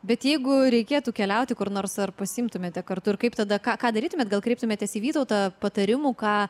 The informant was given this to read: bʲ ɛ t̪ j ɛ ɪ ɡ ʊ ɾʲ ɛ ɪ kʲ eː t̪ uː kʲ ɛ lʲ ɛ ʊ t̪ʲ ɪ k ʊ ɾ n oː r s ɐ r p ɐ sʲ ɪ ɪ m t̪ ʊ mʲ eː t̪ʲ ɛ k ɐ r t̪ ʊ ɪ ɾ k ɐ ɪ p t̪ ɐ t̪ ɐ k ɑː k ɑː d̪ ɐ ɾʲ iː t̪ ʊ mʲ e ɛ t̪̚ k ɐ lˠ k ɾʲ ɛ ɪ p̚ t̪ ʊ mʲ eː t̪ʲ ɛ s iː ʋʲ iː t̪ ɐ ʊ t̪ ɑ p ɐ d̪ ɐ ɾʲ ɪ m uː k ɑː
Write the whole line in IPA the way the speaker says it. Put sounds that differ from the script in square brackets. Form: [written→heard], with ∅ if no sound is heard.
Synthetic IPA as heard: bʲ ɛ t̪ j ɛ ɪ ɡ ʊ ɾʲ ɛ ɪ kʲ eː t̪ uː kʲ ɛ lʲ ɛ ʊ t̪ʲ ɪ k ʊ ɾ n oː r s ɐ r p ɐ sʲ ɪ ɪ m t̪ ʊ mʲ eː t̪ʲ ɛ k ɐ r t̪ ʊ ɪ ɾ k ɐ ɪ p t̪ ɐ [t̪→d̪] ɐ k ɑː k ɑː d̪ ɐ ɾʲ iː t̪ ʊ mʲ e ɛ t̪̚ [k→ɡ] ɐ lˠ k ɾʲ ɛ ɪ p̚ t̪ ʊ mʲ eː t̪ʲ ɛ s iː ʋʲ iː t̪ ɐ ʊ t̪ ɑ p ɐ [d̪→t̪] ɐ ɾʲ ɪ m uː k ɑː